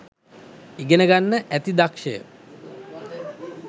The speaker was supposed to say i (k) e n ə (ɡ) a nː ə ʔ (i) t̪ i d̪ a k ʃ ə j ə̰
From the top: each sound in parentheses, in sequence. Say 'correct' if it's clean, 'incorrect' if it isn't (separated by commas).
incorrect, correct, incorrect